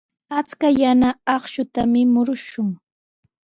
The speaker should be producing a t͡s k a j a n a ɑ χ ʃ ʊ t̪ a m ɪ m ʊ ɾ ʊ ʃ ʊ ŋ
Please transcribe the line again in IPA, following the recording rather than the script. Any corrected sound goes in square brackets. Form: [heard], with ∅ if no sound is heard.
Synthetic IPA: a t͡s k a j a n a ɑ χ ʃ ʊ t̪ a m ɪ m ʊ ɾ ʊ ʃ ʊ ŋ